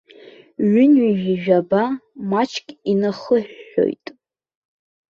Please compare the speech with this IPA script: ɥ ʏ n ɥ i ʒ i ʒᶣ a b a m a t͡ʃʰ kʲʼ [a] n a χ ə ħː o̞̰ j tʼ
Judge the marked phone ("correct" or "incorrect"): incorrect